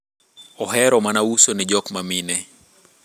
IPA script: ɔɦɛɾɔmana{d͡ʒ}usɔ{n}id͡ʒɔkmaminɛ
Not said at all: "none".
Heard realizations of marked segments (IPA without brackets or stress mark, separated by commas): none, n